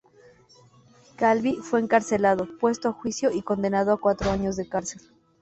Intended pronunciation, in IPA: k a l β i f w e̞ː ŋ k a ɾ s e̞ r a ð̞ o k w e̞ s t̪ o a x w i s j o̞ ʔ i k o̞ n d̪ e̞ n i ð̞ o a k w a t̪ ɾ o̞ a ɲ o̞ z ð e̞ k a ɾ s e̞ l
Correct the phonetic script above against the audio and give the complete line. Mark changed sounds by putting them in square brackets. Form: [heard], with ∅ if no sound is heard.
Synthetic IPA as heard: k a l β i f w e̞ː ŋ k a ɾ s e̞ [l] a ð̞ o [p] w e̞ s t̪ o a x w i s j o̞ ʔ i k o̞ n d̪ e̞ n [a] ð̞ o a k w a t̪ ɾ o̞ a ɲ o̞ z ð e̞ k a ɾ s e̞ l